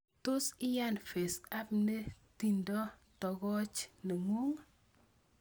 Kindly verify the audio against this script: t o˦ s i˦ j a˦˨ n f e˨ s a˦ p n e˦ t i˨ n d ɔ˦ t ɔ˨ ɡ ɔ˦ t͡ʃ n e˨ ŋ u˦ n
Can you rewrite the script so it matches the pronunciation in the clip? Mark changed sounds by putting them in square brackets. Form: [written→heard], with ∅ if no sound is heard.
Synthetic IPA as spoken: t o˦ s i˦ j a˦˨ n f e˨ s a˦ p n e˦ t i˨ n d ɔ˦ t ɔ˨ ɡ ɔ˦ t͡ʃ n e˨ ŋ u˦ [n→ŋ]